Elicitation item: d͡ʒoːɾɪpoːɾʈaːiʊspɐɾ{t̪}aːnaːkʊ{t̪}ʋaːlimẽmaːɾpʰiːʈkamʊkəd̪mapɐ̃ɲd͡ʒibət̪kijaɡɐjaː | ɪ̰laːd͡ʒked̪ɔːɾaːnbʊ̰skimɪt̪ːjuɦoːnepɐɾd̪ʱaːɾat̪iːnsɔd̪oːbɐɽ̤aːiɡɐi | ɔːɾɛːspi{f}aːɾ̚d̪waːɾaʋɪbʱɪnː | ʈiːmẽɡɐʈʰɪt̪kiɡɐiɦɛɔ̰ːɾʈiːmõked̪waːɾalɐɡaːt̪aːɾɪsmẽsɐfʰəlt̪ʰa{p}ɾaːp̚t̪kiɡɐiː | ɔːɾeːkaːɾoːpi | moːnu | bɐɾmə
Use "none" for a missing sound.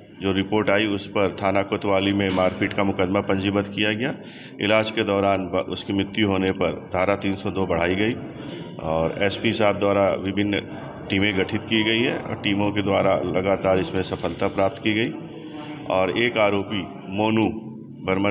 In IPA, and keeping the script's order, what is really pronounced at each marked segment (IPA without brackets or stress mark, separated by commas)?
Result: t̪ʰ, t̪, s, p